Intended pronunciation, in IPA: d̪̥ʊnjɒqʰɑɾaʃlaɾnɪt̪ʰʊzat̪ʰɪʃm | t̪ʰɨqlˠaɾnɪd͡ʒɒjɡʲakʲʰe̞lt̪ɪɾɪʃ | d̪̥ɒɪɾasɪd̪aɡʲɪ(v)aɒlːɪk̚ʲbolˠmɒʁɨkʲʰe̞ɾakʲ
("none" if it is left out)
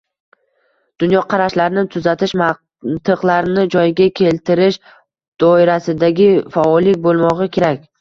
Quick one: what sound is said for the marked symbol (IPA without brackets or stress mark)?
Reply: f